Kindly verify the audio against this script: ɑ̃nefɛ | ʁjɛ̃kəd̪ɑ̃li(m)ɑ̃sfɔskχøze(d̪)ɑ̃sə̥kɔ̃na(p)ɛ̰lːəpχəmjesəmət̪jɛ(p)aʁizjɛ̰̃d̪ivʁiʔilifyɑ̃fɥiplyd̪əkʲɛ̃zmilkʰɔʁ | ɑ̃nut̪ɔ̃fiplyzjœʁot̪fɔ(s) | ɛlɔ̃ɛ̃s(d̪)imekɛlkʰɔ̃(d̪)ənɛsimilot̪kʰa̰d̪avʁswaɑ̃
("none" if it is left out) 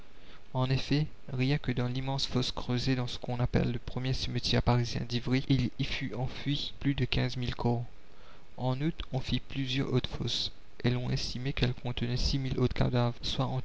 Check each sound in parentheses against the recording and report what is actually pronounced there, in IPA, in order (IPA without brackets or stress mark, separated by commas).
m, d̪, p, p, s, t̪, t̪